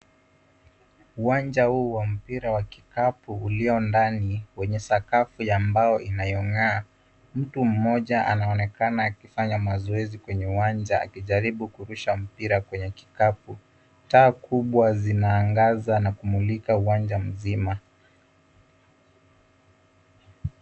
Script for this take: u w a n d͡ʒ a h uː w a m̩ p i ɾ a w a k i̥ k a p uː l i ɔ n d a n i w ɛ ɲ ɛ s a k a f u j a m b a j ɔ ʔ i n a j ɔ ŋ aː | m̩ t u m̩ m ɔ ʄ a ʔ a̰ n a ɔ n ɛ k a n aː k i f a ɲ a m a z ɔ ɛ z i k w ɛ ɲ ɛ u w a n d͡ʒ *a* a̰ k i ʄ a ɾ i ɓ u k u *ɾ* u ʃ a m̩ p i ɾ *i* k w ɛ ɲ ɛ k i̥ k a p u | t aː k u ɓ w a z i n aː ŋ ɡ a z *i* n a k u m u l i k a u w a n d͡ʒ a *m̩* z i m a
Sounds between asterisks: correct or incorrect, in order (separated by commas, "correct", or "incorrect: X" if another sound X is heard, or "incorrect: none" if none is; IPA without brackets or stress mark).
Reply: correct, correct, incorrect: a, incorrect: a, correct